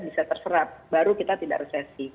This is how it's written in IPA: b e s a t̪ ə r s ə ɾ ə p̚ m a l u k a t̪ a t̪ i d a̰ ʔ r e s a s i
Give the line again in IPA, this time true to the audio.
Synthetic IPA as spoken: b i s a t̪ ə r s ə ɾ a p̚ b a ɾ u k i t̪ a t̪ i d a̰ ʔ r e s a s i